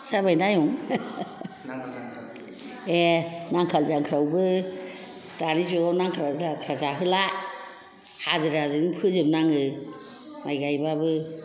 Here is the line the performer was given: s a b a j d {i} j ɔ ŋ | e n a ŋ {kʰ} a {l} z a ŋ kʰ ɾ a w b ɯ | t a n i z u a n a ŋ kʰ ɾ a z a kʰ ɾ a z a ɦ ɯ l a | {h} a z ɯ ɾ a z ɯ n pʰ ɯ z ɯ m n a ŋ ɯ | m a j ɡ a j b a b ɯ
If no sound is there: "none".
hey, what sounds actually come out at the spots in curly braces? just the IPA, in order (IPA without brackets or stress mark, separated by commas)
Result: a, kʰ, l, h